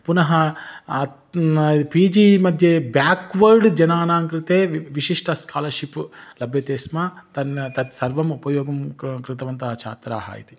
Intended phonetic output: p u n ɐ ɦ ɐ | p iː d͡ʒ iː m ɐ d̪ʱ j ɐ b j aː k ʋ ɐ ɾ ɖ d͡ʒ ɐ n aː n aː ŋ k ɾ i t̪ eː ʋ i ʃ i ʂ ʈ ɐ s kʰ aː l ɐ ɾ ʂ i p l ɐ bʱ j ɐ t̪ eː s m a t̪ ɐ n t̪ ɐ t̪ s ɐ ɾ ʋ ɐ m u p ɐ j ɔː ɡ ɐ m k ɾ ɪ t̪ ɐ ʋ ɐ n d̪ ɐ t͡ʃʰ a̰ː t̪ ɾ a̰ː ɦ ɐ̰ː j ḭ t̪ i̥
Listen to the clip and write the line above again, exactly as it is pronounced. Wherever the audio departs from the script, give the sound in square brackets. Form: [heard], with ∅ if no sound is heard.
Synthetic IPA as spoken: p u n ɐ ɦ ɐ | p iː d͡ʒ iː m ɐ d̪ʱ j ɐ b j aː k ʋ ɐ ɾ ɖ d͡ʒ ɐ n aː n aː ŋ k ɾ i t̪ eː ʋ i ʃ i ʂ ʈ ɐ s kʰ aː l ɐ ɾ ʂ i p l ɐ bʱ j ɐ t̪ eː s m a t̪ ɐ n t̪ ɐ t̪ s ɐ ɾ ʋ ɐ m u p ɐ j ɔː ɡ ɐ m k ɾ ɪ t̪ ɐ ʋ ɐ n [t̪] ɐ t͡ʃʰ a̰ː t̪ ɾ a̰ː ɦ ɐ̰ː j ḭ t̪ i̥